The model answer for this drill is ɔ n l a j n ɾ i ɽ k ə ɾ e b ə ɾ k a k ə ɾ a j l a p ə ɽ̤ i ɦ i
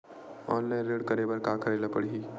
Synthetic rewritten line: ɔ n l a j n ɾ e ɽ k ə ɾ e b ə ɾ k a k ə ɾ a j l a p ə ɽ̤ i ɦ i